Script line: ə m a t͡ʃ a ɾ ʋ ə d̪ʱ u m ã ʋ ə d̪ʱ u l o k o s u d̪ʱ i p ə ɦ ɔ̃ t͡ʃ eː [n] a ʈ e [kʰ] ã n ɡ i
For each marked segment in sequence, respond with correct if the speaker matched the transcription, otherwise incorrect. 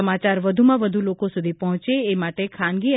incorrect, correct

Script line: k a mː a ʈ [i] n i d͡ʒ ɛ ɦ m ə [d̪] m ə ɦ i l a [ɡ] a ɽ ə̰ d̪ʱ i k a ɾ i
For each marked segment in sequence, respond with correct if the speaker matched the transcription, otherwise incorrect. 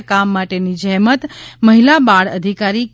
incorrect, incorrect, incorrect

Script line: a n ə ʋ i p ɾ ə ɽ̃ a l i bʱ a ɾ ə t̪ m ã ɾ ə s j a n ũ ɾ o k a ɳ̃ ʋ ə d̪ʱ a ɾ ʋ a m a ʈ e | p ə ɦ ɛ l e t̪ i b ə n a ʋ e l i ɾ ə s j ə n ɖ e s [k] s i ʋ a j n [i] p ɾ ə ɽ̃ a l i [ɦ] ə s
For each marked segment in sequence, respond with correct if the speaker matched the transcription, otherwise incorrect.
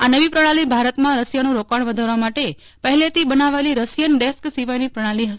correct, correct, correct

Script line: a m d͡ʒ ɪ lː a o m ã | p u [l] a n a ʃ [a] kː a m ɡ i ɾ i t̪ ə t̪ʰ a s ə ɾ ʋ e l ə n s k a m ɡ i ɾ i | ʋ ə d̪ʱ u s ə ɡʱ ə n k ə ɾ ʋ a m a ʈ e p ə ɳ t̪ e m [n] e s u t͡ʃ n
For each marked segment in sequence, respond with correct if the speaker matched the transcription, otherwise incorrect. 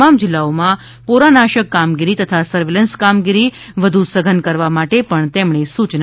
incorrect, incorrect, incorrect

